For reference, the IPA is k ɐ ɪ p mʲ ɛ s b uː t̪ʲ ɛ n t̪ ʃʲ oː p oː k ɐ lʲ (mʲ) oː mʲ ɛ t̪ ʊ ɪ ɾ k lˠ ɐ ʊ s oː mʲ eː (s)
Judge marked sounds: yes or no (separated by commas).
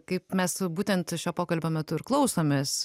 no, yes